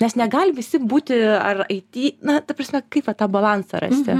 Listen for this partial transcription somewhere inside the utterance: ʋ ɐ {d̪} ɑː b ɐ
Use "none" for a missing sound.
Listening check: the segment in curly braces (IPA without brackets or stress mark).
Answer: t̪